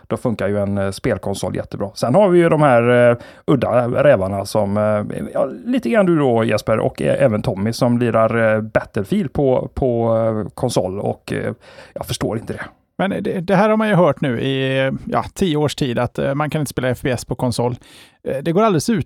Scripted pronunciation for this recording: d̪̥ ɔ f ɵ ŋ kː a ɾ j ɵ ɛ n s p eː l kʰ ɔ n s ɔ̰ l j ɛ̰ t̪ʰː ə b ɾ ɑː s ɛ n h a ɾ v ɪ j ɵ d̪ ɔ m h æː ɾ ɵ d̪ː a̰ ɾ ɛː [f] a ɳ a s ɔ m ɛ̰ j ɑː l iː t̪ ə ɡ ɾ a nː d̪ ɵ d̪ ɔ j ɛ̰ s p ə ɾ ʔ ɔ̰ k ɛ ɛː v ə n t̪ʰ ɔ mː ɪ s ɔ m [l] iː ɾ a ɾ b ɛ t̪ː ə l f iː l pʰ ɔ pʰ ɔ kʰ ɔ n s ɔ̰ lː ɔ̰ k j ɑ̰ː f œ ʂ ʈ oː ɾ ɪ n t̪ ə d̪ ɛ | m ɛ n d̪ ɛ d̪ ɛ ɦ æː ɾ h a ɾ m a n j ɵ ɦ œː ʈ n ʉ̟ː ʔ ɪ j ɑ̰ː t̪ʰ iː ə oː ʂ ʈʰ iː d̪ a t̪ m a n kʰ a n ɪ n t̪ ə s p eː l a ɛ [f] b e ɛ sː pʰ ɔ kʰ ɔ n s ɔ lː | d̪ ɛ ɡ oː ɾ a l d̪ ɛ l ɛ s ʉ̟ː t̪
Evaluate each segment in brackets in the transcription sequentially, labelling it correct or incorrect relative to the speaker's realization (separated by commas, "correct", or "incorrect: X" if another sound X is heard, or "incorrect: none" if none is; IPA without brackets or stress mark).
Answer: incorrect: v, correct, correct